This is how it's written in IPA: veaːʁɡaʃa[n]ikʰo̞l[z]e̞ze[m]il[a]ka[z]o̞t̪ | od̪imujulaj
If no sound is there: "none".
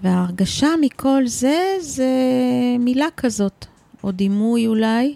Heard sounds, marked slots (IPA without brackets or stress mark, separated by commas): m, z, m, a, z